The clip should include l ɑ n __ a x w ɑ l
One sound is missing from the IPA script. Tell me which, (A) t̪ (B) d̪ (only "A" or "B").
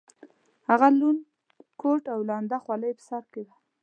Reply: B